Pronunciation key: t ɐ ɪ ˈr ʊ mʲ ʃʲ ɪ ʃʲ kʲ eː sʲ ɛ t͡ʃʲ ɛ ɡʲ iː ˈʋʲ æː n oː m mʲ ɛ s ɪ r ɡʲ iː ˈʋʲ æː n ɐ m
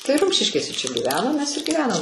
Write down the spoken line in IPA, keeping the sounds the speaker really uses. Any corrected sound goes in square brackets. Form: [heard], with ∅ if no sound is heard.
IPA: t ɐ ɪ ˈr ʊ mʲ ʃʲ ɪ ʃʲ kʲ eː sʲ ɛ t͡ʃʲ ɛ ɡʲ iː ˈʋʲ æː n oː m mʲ ɛ s ɪ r ɡʲ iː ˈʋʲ æː n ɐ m